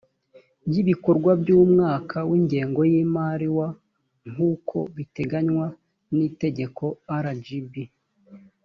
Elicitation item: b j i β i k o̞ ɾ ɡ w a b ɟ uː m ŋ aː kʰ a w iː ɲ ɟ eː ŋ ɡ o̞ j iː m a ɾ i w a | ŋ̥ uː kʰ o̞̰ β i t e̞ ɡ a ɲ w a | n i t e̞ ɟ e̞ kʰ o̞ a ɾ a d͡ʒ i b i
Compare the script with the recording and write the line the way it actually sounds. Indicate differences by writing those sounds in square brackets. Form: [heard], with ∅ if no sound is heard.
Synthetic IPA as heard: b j i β i k o̞ ɾ ɡ w a b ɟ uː m ŋ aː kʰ a w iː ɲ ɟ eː ŋ ɡ o̞ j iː m a ɾ i w a | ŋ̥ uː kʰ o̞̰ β i t e̞ ɡ a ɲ w a | n i t e̞ ɟ e̞ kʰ o̞ a ɾ a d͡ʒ i b i